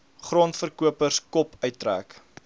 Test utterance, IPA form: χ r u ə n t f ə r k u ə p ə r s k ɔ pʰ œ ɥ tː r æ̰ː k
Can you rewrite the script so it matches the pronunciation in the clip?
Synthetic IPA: χ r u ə n t f ə r k u ə p ə r s k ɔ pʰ œ ɥ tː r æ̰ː k